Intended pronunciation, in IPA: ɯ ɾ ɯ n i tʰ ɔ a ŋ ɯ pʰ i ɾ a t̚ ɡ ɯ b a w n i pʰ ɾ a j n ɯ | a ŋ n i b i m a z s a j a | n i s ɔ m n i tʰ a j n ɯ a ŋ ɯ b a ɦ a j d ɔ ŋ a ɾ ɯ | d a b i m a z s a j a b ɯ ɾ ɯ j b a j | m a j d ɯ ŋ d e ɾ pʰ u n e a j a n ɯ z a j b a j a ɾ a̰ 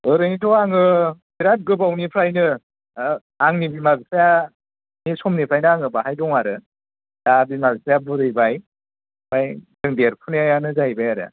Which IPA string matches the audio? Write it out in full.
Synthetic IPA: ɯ ɾ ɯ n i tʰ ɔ a ŋ ɯ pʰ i ɾ a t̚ ɡ ɯ b a w n i pʰ ɾ a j n ɯ | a ŋ n i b i m a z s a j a | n i s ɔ m n i pʰ a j n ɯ a ŋ ɯ b a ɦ a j d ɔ ŋ a ɾ ɯ | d a b i m a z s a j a b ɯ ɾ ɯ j b a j | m a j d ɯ ŋ d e ɾ pʰ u n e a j a n ɯ z a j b a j a ɾ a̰